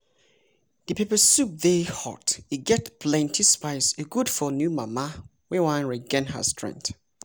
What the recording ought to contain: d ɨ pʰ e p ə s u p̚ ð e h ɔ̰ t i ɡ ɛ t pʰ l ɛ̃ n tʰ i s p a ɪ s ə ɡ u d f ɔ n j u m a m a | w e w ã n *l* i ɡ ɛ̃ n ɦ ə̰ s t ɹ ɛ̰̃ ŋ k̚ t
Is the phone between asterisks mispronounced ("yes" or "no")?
yes